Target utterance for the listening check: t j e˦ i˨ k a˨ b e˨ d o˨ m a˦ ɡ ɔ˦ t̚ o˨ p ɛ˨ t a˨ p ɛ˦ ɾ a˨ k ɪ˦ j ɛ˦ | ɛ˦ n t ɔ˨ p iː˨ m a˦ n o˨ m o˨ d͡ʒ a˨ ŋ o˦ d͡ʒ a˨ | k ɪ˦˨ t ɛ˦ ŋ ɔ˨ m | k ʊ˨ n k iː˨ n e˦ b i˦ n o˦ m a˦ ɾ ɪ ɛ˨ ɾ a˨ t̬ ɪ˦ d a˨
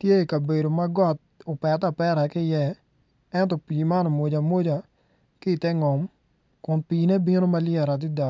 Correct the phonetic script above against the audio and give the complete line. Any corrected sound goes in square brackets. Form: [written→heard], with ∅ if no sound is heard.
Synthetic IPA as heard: t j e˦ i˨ k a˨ b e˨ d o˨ m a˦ ɡ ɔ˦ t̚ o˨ p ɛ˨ t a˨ p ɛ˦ ɾ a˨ k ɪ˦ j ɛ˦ | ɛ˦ n t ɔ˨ p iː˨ m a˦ n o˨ m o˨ d͡ʒ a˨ [ŋ→m] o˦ d͡ʒ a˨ | k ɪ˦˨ t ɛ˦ ŋ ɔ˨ m | k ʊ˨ n [k→p] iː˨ n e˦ b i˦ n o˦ m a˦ [ɾ→l] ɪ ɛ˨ ɾ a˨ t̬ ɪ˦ d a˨